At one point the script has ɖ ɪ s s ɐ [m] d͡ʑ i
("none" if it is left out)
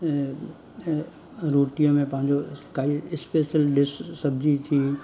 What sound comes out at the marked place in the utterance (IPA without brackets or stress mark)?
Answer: b